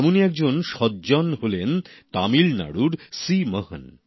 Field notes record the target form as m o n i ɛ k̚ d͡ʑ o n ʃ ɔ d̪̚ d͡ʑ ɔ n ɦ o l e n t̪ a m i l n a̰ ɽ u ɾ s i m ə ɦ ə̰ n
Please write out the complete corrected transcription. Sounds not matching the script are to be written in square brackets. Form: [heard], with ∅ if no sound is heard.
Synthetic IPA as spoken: m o n i ɛ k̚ d͡ʑ o n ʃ ɔ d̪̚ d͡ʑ ɔ n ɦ o l e n t̪ a m i l n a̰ ɽ u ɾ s i m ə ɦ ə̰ n

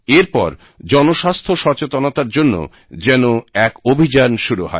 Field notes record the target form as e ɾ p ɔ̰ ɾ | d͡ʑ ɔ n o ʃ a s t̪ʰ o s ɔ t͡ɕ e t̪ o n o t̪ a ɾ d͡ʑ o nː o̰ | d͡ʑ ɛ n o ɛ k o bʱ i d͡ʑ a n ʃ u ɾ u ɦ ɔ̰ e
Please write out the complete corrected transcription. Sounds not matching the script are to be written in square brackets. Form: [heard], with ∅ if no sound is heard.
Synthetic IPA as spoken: e ɾ p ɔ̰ ɾ | d͡ʑ ɔ n o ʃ a s t̪ʰ o [ʃ] ɔ t͡ɕ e t̪ o n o t̪ a ɾ d͡ʑ o nː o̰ | d͡ʑ ɛ n o ɛ k o bʱ i d͡ʑ a n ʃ u ɾ u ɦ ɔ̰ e

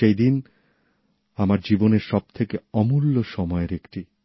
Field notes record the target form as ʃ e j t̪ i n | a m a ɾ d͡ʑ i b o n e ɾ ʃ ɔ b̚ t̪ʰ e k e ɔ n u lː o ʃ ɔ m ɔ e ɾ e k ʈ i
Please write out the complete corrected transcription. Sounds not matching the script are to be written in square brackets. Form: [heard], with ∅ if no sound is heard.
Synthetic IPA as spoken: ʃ e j [d̪] i n | a m a ɾ d͡ʑ i b o n e ɾ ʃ ɔ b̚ t̪ʰ e k e ɔ [m] u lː o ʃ ɔ m ɔ e ɾ e k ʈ i

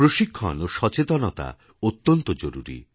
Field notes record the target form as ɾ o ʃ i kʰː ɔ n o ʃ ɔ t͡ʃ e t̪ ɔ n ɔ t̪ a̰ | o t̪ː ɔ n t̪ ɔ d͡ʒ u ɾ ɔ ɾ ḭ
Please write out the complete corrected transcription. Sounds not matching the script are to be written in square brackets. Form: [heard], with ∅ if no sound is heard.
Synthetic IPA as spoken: ɾ o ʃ i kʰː ɔ n o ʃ ɔ t͡ʃ e t̪ ɔ n ɔ t̪ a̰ | o t̪ː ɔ n t̪ ɔ d͡ʒ [o] ɾ [u] ɾ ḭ

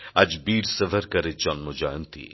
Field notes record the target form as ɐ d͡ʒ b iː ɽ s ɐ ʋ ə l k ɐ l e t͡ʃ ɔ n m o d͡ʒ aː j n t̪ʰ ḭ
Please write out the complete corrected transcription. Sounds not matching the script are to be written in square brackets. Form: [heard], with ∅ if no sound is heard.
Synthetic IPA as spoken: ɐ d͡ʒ b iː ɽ s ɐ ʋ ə [ɾ] k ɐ [ɾ] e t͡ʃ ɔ n m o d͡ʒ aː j n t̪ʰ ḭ

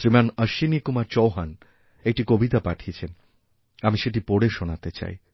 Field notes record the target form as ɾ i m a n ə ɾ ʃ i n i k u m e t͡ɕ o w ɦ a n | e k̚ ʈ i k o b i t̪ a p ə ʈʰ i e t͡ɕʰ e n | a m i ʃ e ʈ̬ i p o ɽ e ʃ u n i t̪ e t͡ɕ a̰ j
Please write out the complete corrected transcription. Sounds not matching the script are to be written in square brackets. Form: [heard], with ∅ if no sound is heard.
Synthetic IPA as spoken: ɾ i m a n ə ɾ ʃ i n i k u m [a] t͡ɕ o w ɦ a n | e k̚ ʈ i k o b i t̪ a p [a] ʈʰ i e t͡ɕʰ e n | a m i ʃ e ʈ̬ i p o ɽ e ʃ [o] n [a] t̪ e t͡ɕ a̰ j

